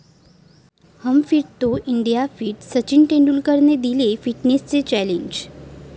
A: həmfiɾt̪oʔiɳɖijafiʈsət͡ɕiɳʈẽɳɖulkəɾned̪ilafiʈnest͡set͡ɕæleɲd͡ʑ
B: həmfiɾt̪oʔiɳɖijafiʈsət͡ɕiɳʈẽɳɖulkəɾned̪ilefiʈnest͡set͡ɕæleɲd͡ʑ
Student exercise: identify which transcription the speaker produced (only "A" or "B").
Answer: B